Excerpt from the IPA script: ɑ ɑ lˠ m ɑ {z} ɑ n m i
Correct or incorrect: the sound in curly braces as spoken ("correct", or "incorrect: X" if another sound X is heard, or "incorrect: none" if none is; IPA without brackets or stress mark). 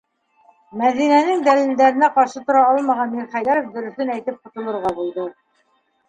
incorrect: ʁ